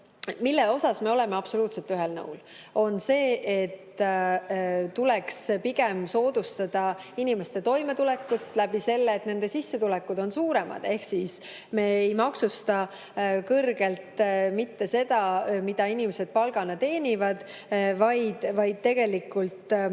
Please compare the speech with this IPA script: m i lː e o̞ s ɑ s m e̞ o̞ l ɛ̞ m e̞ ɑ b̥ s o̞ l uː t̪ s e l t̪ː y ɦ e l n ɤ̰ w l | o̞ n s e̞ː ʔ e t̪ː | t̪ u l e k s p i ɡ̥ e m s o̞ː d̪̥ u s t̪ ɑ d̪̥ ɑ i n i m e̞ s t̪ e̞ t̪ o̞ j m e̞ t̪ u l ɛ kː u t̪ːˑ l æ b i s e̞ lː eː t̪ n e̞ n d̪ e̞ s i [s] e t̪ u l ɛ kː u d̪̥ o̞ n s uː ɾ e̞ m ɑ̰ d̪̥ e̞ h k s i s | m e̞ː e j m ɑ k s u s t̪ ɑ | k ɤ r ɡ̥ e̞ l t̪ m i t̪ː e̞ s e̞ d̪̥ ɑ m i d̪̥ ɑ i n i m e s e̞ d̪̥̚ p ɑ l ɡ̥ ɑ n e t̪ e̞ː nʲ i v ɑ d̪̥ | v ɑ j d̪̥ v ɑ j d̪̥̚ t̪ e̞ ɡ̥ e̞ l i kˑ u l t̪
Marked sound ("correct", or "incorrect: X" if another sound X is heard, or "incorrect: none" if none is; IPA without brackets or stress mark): incorrect: sː